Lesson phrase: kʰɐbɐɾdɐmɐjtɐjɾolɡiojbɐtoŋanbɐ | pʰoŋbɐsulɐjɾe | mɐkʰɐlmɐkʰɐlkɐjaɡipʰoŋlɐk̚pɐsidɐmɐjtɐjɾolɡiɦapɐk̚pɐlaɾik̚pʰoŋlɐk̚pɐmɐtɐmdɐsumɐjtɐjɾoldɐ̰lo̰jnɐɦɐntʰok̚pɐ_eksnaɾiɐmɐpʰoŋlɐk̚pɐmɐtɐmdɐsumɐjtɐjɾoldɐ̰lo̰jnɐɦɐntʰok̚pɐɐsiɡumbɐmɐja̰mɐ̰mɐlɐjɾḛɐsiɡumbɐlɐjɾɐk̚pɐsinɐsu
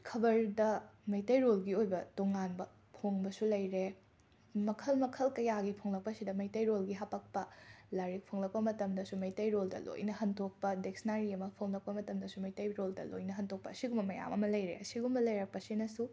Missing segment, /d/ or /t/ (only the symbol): d